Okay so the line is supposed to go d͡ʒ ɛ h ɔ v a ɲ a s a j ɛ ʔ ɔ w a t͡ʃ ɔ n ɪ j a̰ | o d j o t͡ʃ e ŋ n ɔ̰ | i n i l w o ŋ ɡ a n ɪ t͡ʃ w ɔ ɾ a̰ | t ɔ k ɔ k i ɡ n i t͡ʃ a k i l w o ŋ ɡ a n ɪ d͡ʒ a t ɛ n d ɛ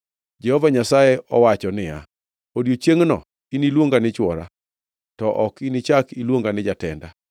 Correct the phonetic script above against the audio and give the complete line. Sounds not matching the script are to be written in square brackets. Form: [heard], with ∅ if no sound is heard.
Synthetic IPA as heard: d͡ʒ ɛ h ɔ v a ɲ a s a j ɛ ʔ ɔ w a t͡ʃ ɔ n ɪ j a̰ | o d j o t͡ʃ e ŋ n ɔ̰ | i n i l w o ŋ ɡ a n ɪ t͡ʃ w ɔ ɾ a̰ | t ɔ [ʔ] ɔ k i [∅] n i t͡ʃ a k i l w o ŋ ɡ a n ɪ d͡ʒ a t ɛ n d [a]